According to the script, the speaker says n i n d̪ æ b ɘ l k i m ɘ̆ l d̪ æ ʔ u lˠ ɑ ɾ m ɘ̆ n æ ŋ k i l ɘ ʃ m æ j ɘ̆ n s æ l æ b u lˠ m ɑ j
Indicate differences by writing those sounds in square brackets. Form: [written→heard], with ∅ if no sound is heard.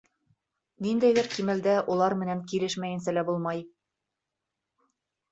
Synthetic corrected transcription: n i n d̪ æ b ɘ [l→ɾ] k i m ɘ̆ l d̪ æ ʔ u lˠ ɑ ɾ m ɘ̆ n æ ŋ k i l ɘ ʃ m æ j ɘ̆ n s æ l æ b u lˠ m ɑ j

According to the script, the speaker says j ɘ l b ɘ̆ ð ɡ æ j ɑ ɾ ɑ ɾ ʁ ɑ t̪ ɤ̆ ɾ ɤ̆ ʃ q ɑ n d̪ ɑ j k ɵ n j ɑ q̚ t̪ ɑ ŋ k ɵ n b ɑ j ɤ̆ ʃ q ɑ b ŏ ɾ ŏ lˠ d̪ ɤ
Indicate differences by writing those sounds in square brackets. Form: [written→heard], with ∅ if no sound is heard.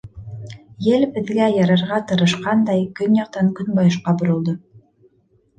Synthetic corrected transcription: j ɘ l b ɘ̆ ð ɡ æ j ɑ ɾ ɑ ɾ ʁ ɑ t̪ ɤ̆ ɾ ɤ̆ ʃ q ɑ n d̪ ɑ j k ɵ n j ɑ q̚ t̪ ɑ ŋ k ɵ n b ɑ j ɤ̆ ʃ q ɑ b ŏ ɾ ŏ lˠ d̪ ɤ

